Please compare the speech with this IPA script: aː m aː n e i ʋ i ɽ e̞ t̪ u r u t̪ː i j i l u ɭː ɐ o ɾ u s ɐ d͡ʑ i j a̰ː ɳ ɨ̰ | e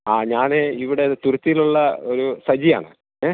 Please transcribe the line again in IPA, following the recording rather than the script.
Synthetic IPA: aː ɲ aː n e i ʋ i ɽ e̞ t̪ u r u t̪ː i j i l u ɭː ɐ o ɾ u s ɐ d͡ʑ i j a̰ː ɳ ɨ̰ | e